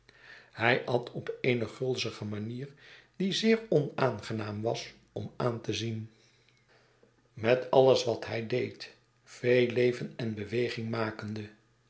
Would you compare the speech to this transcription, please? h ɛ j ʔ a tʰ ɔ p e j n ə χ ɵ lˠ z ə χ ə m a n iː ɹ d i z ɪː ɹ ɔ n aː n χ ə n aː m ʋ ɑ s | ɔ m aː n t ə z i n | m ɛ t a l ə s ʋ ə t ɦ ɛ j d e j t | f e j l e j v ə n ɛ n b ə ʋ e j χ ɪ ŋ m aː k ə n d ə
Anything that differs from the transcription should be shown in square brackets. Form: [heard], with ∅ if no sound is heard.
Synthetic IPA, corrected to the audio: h ɛ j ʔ [ɑ] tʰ ɔ p e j n ə χ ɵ lˠ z ə χ ə m a n iː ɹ d i z ɪː ɹ ɔ n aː n χ ə n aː m ʋ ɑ s | ɔ m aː n t ə z i n | m ɛ t [ɑ] l ə s ʋ [ɑ] t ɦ ɛ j d e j t | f e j l e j v ə n ɛ n b ə ʋ e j χ ɪ ŋ m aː k ə n d ə